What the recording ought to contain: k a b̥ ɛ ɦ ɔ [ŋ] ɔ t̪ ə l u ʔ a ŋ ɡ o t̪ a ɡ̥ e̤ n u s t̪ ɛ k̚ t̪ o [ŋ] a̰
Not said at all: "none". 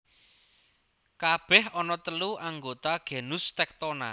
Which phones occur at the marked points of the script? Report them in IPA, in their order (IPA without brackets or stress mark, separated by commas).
n, n